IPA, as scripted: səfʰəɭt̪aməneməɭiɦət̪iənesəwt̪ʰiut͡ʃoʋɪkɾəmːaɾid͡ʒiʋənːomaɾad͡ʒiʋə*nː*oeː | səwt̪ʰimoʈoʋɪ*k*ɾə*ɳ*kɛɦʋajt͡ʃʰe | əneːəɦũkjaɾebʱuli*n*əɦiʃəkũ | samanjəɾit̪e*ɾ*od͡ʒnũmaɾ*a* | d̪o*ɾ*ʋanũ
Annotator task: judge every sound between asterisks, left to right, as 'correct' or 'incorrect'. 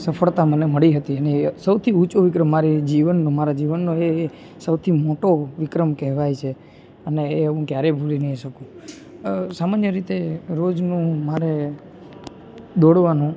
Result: correct, correct, incorrect, correct, correct, incorrect, incorrect

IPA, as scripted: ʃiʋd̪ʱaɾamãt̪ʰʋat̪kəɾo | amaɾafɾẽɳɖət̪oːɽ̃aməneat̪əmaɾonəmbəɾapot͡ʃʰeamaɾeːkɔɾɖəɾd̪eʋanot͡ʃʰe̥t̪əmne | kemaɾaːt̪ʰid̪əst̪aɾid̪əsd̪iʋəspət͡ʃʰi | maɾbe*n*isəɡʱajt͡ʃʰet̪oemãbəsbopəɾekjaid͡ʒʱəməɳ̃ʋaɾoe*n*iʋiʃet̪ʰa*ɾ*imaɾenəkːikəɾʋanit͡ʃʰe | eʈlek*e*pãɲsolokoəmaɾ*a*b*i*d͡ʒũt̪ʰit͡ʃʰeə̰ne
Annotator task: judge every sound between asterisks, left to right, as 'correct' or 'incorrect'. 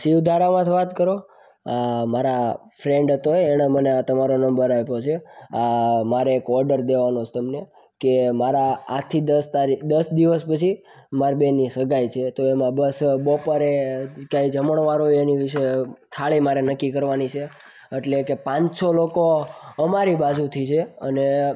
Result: correct, correct, incorrect, correct, incorrect, incorrect

